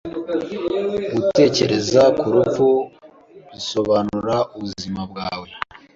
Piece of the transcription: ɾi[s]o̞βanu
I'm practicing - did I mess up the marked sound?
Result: no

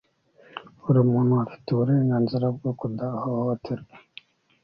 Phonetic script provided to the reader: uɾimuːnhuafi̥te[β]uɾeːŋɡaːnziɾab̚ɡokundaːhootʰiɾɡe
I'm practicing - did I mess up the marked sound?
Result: no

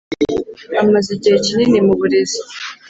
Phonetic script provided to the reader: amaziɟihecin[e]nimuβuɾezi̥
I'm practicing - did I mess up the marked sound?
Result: yes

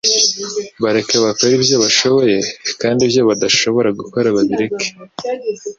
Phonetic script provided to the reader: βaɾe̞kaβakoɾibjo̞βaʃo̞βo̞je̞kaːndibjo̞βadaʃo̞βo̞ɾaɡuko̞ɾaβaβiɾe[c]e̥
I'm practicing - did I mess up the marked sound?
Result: yes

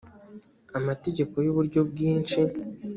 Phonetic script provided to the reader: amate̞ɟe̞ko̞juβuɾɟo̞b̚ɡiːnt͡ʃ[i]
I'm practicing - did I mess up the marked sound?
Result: no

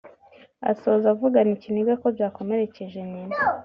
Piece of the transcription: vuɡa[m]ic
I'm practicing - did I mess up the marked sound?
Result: yes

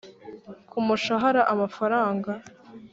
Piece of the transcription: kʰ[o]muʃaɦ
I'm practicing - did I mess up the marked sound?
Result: yes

